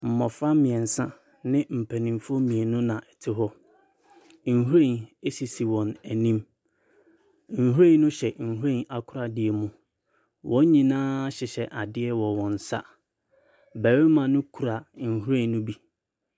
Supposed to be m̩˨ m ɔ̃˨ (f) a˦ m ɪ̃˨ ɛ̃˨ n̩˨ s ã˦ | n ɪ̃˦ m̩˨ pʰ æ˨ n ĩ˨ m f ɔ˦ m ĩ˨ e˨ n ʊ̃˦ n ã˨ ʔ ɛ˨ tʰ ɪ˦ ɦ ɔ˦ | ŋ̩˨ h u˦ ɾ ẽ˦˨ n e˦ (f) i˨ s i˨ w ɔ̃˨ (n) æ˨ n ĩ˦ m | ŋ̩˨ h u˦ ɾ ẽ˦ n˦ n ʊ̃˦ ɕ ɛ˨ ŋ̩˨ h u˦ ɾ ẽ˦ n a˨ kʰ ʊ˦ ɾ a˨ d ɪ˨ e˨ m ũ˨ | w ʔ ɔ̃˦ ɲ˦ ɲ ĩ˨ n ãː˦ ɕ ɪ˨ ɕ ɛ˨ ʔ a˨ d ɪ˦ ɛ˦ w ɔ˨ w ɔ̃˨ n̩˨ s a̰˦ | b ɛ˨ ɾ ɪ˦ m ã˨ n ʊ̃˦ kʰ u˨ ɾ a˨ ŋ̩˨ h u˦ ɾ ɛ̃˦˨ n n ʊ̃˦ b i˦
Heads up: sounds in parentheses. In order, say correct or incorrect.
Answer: correct, incorrect: s, correct

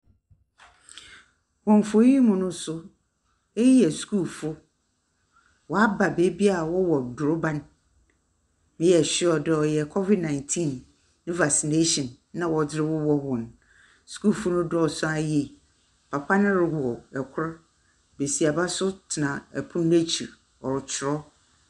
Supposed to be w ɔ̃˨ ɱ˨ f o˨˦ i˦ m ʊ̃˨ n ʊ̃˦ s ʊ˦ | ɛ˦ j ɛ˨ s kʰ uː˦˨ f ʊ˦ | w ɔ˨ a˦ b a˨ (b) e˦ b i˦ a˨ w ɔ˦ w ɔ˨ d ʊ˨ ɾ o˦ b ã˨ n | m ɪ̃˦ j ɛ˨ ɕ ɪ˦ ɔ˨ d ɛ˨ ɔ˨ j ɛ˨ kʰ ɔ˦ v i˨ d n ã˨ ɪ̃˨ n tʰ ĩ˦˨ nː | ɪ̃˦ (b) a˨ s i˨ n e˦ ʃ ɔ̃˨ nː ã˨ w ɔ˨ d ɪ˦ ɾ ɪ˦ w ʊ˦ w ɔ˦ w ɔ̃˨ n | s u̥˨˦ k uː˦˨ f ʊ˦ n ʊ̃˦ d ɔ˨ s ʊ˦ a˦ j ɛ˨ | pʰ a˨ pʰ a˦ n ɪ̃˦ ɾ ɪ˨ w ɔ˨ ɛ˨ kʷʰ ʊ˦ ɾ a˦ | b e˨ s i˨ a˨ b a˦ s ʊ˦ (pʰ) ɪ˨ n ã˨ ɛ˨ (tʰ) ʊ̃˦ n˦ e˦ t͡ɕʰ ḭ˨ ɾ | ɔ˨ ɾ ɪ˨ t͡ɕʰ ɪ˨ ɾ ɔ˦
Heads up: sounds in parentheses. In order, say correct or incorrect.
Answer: correct, incorrect: v, incorrect: tʰ, incorrect: pʰ

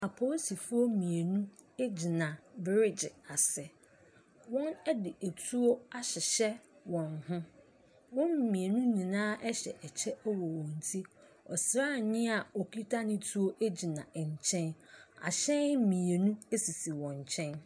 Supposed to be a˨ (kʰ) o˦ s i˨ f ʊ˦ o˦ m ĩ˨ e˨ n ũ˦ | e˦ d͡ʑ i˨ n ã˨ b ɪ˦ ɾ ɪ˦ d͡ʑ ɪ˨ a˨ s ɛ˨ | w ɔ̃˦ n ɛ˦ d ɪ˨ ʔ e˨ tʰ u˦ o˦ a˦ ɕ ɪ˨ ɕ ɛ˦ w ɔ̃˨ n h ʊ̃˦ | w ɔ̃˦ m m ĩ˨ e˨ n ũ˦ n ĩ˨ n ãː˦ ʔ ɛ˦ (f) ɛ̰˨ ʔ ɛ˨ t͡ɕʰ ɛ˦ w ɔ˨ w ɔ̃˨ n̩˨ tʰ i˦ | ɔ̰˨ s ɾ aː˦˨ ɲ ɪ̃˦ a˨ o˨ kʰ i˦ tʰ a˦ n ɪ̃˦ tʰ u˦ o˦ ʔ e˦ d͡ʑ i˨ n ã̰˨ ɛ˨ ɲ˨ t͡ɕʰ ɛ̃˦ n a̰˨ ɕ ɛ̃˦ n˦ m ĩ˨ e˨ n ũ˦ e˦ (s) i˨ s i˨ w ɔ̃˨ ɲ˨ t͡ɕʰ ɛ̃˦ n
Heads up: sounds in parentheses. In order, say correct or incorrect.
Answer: incorrect: pʰ, incorrect: ɕ, correct

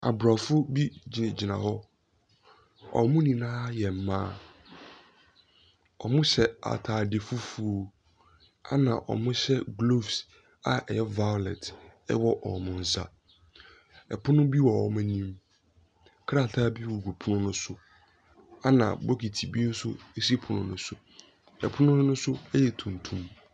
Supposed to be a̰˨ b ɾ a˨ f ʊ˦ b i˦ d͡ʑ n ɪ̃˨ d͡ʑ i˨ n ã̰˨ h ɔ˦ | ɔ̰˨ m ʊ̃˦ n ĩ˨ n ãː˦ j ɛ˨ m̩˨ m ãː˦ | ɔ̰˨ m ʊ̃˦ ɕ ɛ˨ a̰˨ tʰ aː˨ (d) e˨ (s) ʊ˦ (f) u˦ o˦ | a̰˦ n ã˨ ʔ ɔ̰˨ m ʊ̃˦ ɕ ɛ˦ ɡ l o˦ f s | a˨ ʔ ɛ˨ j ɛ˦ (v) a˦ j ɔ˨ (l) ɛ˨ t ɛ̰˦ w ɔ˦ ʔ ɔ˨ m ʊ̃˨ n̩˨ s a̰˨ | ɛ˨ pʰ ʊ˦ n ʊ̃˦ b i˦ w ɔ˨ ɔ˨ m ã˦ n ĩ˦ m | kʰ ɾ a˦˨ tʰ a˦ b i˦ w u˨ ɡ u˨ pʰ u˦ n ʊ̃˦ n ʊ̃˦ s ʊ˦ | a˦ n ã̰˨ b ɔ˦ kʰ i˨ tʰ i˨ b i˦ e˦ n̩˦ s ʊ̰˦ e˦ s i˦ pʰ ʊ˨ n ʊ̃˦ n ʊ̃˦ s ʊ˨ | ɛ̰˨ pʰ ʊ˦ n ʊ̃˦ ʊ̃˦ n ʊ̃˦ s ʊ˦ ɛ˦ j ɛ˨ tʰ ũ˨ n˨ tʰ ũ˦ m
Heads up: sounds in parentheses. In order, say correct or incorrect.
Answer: correct, incorrect: f, correct, correct, correct

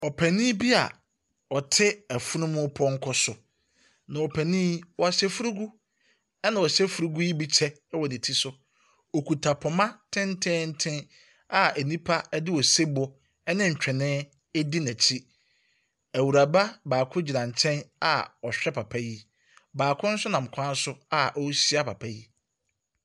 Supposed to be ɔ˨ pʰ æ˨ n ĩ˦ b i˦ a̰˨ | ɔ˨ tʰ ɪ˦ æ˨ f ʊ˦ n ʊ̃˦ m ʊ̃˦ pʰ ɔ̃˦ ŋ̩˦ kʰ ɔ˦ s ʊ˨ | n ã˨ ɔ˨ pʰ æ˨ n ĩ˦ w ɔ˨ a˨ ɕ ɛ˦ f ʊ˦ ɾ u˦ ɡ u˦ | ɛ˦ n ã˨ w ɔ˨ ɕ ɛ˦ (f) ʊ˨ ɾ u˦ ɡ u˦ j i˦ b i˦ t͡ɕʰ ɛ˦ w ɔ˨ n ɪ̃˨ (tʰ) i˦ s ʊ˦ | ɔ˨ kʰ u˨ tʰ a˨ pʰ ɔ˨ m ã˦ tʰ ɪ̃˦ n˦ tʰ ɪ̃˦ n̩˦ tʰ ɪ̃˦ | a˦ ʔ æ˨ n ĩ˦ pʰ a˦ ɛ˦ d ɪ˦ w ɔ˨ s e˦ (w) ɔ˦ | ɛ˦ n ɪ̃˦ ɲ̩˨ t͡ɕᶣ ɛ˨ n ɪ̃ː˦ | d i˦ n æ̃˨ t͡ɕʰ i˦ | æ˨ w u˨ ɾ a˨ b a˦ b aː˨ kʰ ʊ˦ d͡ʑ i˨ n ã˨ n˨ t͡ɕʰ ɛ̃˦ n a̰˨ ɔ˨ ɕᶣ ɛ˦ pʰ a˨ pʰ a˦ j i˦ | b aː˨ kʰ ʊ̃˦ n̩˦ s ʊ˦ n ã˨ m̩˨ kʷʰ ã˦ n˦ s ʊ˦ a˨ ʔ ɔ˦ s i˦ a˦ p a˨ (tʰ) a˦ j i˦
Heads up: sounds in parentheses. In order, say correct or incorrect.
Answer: correct, correct, incorrect: b, incorrect: pʰ

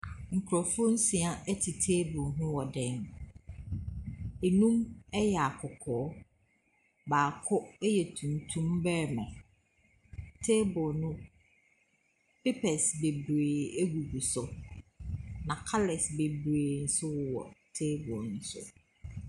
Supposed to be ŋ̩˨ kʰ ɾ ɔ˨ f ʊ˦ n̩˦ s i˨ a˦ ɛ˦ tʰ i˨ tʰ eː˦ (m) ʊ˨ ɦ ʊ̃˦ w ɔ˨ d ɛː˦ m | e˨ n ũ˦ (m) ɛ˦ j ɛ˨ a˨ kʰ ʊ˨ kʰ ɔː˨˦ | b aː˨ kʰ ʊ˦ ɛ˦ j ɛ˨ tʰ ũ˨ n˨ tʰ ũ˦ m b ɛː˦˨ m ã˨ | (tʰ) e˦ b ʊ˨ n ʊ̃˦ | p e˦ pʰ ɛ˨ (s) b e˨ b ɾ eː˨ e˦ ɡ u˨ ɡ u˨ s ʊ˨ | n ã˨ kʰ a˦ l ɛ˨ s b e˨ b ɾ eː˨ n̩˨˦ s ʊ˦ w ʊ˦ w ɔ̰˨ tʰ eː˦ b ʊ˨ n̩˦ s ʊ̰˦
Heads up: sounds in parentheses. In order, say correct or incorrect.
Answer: incorrect: b, correct, correct, correct

